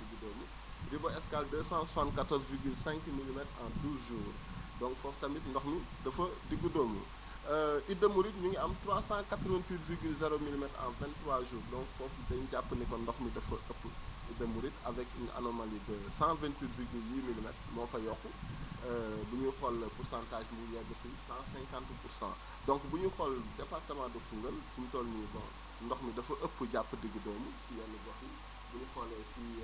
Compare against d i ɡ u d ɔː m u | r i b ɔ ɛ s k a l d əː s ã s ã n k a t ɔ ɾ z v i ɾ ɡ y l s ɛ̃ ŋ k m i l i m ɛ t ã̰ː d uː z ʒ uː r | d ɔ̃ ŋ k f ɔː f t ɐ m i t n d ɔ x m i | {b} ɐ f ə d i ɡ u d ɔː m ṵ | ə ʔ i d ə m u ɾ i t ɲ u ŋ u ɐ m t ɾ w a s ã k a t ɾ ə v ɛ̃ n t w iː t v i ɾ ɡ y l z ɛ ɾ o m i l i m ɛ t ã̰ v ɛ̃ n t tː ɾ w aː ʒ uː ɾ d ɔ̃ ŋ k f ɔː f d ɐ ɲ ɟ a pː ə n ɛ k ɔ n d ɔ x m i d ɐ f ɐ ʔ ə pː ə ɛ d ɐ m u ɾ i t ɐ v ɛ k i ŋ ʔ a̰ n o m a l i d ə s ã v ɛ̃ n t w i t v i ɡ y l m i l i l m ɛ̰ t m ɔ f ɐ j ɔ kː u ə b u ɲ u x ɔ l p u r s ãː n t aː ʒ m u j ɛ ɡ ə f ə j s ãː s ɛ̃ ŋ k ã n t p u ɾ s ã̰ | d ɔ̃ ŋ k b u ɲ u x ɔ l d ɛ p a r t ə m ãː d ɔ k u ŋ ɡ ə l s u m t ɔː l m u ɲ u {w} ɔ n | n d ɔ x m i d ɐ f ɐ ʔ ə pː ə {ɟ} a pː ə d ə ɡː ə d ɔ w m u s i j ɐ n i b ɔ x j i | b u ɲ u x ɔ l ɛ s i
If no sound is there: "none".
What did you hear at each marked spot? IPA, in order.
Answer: d, b, ɟ

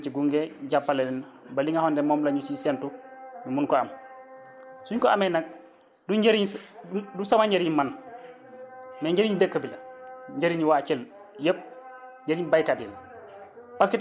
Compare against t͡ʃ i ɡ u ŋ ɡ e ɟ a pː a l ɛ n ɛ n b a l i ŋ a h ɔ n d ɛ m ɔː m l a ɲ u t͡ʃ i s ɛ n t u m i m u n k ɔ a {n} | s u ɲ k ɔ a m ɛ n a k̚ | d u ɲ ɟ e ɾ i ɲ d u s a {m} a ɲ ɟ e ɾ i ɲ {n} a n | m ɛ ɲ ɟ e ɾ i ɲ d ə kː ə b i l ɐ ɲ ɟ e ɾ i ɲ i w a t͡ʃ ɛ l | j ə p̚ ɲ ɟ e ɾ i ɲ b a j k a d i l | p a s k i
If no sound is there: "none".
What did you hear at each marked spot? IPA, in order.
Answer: m, m, m

